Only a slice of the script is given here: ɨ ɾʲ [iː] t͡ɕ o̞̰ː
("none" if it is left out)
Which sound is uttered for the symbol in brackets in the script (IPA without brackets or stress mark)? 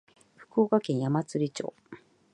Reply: i